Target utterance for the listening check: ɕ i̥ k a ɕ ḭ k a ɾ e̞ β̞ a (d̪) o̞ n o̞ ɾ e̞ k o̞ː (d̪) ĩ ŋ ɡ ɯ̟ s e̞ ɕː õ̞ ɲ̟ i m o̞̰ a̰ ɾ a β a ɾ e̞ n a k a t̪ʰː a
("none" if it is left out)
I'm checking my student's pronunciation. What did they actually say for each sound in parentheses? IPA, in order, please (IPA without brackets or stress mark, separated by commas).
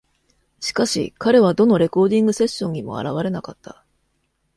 d̪, d̪